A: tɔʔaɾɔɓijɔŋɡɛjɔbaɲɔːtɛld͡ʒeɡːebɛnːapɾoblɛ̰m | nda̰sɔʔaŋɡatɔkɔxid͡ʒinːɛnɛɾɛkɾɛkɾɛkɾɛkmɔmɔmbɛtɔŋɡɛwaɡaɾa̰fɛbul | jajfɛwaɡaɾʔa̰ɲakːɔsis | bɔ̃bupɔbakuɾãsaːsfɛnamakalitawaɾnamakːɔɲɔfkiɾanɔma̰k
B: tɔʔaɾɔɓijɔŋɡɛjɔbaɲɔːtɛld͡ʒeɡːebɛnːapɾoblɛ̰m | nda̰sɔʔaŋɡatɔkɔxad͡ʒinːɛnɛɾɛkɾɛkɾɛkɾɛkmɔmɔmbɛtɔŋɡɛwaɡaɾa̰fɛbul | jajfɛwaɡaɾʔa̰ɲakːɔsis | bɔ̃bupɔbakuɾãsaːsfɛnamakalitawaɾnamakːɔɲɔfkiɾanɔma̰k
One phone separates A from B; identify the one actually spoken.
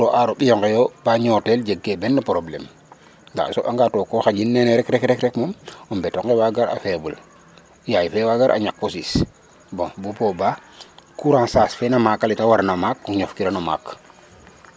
B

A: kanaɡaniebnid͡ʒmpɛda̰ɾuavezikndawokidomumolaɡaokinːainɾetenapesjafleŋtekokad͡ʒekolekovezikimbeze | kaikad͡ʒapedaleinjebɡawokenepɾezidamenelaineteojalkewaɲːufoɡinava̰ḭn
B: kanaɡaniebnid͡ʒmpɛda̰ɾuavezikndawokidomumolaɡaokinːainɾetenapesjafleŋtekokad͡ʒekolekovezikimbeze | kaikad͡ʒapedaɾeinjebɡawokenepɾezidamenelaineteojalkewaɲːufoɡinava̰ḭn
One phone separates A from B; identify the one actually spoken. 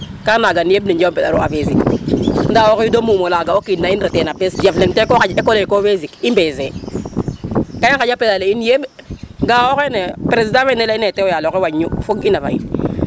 A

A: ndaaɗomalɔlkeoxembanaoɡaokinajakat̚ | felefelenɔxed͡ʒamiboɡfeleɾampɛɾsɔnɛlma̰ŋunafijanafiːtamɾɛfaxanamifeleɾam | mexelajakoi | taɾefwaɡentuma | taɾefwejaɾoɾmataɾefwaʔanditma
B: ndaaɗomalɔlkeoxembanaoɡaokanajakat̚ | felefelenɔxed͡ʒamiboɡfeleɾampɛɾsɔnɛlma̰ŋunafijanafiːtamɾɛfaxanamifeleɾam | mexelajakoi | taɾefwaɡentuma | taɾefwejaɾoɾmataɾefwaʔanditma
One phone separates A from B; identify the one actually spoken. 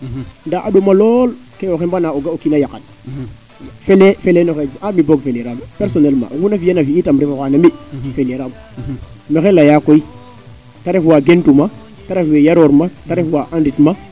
A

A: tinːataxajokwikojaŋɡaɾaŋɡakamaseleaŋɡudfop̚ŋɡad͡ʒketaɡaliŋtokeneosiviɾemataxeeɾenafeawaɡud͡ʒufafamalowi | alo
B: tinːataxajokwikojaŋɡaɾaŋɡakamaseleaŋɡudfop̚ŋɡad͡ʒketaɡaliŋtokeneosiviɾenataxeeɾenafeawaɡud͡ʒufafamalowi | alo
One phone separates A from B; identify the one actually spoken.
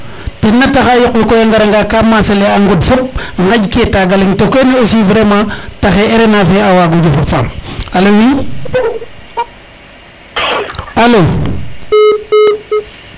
A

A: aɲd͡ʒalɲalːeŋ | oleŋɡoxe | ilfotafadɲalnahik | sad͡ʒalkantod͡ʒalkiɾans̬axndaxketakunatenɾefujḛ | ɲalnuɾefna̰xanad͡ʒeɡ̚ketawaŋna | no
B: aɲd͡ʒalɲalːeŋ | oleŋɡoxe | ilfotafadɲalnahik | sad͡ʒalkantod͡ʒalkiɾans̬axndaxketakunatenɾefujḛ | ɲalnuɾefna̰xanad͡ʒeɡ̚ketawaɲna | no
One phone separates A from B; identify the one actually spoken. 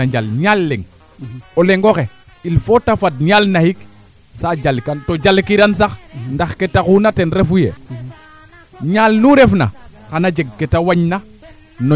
B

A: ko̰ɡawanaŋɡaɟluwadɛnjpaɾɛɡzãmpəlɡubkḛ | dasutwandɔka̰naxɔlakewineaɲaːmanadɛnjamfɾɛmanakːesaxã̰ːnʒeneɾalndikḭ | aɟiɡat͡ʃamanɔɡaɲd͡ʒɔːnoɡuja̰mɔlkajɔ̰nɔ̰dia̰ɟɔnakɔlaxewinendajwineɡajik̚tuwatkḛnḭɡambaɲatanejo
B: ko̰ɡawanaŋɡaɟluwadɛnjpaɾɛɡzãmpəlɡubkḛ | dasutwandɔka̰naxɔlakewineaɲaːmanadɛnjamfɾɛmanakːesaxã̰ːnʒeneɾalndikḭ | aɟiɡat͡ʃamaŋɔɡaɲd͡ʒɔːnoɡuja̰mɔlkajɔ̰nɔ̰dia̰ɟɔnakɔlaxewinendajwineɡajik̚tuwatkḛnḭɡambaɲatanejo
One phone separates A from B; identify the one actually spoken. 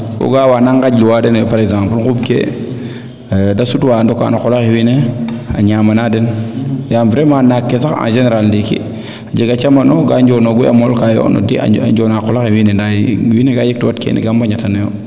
A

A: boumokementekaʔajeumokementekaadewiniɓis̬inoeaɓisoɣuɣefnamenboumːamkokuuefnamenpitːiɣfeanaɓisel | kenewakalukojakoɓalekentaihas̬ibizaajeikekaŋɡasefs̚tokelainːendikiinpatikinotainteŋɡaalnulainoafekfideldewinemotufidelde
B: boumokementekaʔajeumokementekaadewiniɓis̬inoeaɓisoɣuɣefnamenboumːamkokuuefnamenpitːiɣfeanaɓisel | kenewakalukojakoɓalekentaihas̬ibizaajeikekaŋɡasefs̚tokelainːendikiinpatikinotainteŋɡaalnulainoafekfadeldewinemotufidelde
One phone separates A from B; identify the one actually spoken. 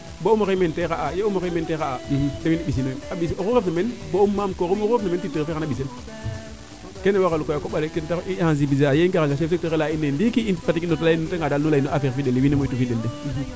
A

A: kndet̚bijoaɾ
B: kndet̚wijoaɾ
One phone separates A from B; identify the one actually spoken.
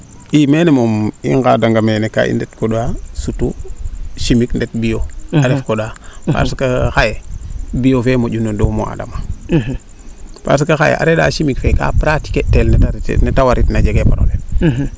A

